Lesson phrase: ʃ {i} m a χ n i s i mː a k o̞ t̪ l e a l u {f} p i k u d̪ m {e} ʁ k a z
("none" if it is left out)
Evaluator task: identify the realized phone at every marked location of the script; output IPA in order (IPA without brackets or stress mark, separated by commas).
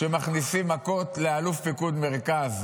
e, f, e